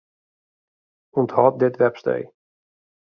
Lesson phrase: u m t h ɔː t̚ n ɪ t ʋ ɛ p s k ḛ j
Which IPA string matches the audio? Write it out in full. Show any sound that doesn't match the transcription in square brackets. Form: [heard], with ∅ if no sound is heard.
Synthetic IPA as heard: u [n] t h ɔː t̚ [d] ɪ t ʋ ɛ p s [t] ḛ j